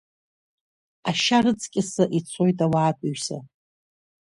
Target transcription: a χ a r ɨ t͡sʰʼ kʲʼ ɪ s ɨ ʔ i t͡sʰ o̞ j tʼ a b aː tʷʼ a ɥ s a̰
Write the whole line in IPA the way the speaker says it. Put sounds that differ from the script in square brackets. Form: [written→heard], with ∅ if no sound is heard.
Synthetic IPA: a [χ→ʃ] a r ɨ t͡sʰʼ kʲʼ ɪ s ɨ ʔ i t͡sʰ o̞ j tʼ a [b→w] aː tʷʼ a ɥ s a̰